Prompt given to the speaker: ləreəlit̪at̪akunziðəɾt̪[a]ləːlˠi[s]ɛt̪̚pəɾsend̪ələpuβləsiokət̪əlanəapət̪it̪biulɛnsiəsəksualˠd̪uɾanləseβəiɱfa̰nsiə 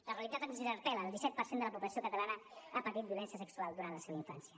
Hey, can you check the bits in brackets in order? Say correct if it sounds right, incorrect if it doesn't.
incorrect, correct

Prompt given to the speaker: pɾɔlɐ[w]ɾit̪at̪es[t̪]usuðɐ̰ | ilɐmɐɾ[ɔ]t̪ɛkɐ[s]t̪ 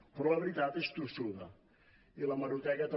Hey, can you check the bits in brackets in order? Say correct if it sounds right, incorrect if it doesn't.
incorrect, correct, incorrect, incorrect

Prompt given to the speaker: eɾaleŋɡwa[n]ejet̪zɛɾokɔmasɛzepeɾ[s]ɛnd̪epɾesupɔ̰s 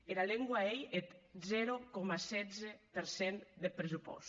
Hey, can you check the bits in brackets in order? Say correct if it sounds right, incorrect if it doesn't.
incorrect, correct

